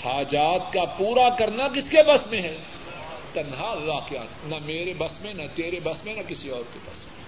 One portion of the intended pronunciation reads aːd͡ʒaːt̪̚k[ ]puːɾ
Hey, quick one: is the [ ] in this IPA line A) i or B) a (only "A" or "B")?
B